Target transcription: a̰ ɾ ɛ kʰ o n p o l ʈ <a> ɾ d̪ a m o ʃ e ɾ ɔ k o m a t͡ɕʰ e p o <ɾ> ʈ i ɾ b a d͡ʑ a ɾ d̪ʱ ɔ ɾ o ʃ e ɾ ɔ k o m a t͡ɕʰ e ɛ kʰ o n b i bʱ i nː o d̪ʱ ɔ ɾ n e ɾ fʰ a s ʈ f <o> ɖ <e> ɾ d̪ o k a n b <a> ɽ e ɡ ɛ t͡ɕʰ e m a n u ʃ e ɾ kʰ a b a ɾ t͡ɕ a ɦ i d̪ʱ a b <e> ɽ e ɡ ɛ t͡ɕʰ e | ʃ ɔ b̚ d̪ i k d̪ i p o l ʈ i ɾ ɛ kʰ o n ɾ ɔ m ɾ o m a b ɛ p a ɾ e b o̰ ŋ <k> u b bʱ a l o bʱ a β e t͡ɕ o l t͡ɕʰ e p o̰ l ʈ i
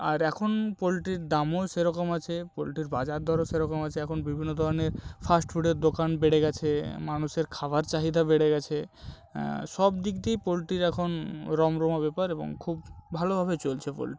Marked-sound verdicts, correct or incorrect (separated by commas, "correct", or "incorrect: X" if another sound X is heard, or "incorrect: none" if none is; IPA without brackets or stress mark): incorrect: i, incorrect: l, incorrect: u, correct, incorrect: e, correct, incorrect: kʰ